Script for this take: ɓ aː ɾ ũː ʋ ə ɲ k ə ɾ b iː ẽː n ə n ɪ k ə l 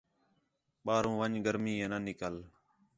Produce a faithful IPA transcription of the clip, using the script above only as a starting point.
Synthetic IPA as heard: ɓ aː ɾ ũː ʋ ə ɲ ɡ ə ɾ m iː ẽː n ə n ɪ k ə l